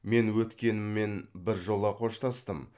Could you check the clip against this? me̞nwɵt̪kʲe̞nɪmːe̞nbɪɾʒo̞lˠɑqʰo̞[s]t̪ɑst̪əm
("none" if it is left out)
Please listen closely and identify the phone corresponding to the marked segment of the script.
ʃ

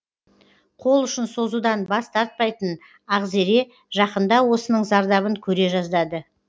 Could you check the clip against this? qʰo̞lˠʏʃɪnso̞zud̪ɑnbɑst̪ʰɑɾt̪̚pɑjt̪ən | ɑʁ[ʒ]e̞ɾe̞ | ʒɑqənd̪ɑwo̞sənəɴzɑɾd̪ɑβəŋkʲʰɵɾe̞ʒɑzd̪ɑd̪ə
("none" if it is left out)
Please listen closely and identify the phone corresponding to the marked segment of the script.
z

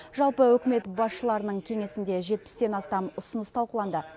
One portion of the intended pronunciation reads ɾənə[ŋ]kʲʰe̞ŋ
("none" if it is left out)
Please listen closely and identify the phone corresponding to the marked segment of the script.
ɴ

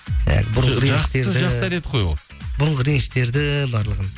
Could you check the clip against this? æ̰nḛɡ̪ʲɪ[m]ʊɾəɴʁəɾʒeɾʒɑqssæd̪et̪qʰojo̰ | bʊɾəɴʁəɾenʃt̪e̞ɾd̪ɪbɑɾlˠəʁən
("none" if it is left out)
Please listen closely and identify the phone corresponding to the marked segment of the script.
b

